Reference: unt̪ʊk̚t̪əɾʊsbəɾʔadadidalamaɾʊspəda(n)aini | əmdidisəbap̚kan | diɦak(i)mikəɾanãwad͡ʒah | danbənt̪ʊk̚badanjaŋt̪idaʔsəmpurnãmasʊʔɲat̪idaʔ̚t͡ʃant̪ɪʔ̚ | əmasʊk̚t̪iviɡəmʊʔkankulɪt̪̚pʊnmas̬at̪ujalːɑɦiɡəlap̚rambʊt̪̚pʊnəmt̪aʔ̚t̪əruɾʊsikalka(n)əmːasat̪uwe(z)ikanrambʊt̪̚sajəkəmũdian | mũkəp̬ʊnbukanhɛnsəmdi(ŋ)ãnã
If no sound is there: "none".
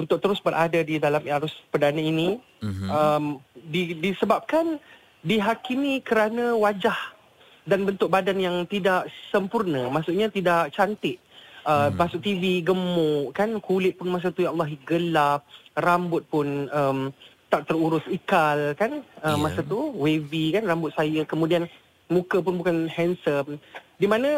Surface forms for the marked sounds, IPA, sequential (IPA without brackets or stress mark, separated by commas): n, i, n, v, m